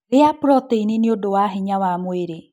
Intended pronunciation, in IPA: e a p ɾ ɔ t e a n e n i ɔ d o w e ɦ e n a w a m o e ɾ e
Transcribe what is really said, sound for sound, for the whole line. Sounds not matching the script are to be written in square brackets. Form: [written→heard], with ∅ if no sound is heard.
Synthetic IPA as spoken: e a p ɾ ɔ t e [a→i] n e n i [ɔ→o] d o w [e→a] ɦ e [n→ɲ] a w a m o e ɾ e